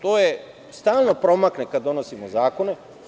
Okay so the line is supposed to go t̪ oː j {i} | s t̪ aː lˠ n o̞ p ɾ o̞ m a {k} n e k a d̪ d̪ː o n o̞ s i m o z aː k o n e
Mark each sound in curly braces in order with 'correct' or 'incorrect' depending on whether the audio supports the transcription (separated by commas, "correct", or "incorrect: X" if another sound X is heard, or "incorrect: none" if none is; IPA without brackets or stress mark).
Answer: incorrect: e, correct